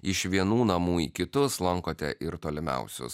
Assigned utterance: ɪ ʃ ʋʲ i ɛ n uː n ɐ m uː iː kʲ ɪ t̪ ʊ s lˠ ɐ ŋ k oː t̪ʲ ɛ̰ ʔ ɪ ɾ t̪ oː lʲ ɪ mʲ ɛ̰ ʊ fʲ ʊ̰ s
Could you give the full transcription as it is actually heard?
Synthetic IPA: ɪ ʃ ʋʲ i ɛ n uː n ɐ m uː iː kʲ ɪ t̪ ʊ s lˠ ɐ ŋ k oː t̪ʲ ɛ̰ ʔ ɪ ɾ t̪ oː lʲ ɪ mʲ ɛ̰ ʊ sʲ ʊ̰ s